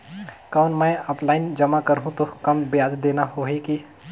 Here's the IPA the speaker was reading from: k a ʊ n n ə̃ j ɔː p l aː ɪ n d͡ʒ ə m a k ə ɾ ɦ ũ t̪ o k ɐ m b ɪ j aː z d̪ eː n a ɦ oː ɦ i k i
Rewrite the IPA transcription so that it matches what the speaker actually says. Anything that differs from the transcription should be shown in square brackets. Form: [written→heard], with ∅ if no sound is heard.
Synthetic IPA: k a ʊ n [n→m] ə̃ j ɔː p l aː ɪ n d͡ʒ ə m a k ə ɾ ɦ ũ t̪ o k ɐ m b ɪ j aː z d̪ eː n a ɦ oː ɦ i k i